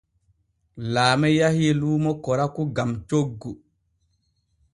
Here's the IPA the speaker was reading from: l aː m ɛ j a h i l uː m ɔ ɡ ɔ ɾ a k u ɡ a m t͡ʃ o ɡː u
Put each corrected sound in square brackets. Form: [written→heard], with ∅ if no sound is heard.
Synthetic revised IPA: l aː m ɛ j a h i l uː m ɔ [ɡ→k] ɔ ɾ a k u ɡ a m t͡ʃ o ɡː u